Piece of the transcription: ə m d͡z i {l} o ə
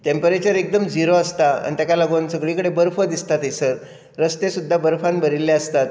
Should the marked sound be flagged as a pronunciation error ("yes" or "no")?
yes